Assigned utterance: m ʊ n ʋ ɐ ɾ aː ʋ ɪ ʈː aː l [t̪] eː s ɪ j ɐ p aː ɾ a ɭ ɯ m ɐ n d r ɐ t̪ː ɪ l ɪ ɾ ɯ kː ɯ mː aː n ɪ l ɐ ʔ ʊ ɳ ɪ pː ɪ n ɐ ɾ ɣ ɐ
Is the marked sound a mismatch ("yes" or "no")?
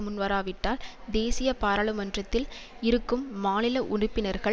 yes